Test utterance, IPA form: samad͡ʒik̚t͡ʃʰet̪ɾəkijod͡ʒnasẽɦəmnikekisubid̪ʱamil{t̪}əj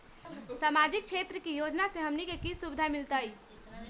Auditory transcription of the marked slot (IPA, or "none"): t̪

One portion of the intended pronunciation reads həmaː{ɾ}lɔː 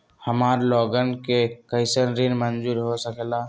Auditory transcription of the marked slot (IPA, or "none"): ɾ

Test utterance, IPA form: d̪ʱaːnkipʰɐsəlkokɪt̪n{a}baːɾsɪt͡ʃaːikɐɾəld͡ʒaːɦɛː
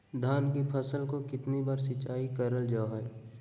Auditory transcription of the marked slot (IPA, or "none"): i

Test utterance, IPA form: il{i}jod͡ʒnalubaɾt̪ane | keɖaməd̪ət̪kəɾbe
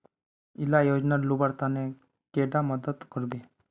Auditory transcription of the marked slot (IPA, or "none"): a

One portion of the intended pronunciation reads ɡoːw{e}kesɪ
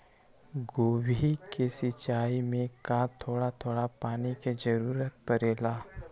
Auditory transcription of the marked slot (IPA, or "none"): i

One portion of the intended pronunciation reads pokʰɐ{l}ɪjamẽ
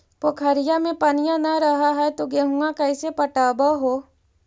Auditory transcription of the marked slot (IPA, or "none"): ɾ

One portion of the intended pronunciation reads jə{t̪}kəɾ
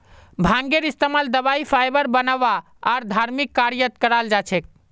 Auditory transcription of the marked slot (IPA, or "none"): t̪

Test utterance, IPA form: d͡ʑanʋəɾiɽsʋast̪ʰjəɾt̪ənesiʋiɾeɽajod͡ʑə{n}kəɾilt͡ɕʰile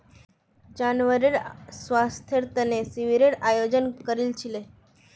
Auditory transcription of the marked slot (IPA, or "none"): n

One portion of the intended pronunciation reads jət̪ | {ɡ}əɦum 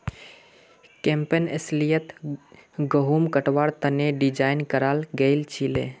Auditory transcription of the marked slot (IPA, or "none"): ɡ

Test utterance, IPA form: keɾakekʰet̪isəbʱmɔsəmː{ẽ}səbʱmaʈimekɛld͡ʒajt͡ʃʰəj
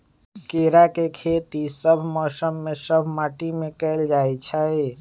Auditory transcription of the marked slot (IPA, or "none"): e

